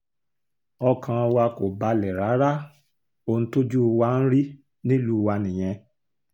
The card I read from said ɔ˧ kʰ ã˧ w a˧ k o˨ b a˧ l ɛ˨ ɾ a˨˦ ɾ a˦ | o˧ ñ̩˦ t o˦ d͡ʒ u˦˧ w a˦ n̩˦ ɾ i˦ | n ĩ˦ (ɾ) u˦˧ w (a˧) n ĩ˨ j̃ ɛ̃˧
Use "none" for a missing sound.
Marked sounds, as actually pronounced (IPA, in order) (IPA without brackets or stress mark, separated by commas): l, a˧